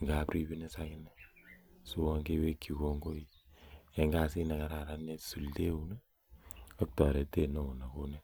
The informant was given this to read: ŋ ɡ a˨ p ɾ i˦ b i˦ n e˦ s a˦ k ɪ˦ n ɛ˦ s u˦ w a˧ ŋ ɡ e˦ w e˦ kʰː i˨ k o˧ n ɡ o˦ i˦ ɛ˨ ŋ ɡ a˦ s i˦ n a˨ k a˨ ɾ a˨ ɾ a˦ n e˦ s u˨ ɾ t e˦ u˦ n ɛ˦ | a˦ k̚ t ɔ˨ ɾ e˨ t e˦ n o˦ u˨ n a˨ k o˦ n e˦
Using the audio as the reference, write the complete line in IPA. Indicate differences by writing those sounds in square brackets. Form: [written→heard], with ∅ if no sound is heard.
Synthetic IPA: ŋ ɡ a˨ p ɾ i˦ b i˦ n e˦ s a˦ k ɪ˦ n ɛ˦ s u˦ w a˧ ŋ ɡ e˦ w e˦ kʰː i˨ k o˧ [n→ŋ] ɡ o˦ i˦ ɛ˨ ŋ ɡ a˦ s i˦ n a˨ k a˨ ɾ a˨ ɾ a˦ n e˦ s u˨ [ɾ→l] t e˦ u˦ n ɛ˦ | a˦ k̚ t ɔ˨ ɾ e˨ t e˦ n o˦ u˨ n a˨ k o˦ n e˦